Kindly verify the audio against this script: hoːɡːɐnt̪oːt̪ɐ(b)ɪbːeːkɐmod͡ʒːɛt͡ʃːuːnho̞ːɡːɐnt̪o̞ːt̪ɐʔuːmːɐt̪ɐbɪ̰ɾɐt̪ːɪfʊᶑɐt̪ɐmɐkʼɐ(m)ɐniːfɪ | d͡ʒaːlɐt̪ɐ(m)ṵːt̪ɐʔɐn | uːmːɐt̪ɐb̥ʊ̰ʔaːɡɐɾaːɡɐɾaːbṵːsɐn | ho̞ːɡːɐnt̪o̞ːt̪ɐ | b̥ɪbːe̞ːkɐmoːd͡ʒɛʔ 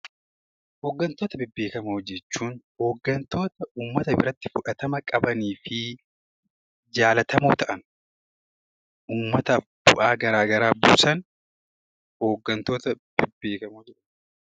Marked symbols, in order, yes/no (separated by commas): yes, no, yes